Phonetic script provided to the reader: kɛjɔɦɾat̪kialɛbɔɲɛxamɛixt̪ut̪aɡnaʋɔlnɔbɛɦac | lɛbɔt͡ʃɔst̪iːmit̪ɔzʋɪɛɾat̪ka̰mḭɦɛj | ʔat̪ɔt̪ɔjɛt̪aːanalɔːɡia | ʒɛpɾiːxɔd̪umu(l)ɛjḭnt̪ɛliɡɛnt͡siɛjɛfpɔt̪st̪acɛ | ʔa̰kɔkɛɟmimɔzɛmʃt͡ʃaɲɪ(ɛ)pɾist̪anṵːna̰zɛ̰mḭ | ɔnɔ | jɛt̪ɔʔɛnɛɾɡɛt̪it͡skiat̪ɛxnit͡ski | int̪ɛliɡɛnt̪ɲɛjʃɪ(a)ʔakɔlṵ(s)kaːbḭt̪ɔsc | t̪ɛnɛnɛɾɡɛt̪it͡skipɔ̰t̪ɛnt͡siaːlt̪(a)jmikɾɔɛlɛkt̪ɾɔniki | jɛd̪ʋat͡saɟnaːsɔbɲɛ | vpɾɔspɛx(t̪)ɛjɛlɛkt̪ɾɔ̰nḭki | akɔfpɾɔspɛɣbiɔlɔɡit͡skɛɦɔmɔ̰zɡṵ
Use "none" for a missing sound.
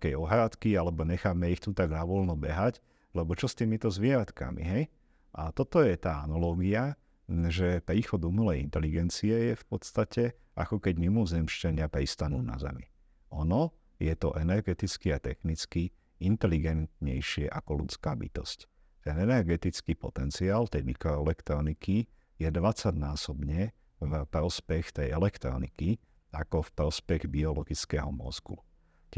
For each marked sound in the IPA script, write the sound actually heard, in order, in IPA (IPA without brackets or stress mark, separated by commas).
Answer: l, a, ɛ, t͡s, ɛ, t̪